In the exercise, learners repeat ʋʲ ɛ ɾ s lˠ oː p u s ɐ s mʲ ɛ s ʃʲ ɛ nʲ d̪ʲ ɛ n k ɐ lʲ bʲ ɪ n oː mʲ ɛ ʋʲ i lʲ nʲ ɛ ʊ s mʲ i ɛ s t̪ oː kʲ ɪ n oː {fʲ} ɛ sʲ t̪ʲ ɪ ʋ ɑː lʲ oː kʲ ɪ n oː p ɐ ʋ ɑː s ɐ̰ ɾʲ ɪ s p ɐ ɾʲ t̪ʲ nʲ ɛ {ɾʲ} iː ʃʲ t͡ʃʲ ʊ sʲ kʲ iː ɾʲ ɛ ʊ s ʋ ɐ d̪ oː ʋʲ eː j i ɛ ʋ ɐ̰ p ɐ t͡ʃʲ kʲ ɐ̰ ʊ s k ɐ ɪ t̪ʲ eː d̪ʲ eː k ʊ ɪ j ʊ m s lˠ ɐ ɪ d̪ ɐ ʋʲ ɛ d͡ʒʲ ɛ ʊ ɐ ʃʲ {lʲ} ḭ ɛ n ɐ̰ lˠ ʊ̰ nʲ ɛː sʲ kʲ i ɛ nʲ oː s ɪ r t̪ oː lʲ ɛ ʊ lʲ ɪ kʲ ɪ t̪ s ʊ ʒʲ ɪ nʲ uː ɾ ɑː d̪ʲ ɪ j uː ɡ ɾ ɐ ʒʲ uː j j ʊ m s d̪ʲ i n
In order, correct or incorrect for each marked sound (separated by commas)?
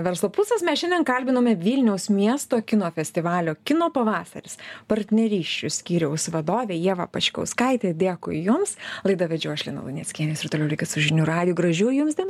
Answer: correct, correct, correct